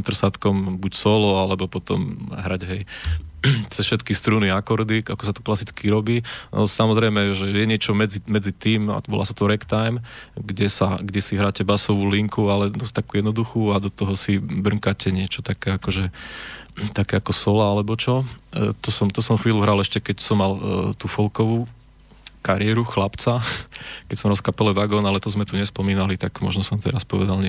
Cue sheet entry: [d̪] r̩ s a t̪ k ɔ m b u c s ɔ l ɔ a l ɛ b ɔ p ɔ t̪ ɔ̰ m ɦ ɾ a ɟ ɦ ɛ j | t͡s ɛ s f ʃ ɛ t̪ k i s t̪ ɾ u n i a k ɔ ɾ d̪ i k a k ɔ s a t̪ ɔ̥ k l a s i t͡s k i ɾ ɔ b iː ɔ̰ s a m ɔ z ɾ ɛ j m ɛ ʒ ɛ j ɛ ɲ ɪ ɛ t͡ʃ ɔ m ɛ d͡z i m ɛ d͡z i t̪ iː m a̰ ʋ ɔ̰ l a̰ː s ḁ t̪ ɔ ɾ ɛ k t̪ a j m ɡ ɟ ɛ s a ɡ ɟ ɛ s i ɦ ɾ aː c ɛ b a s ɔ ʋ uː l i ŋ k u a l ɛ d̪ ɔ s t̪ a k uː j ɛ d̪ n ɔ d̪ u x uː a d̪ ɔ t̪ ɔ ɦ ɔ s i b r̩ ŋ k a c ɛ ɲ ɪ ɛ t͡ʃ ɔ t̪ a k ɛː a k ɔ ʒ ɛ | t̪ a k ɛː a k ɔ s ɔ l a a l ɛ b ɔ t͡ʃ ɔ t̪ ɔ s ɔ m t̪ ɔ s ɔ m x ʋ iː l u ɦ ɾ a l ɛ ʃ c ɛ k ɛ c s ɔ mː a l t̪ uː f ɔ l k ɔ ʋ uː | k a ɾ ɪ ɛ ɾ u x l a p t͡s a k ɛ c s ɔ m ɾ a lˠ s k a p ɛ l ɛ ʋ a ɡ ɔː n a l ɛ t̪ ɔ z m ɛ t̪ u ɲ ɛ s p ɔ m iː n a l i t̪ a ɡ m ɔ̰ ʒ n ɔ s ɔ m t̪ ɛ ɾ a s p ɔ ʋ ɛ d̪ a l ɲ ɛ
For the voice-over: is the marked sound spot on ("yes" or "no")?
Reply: no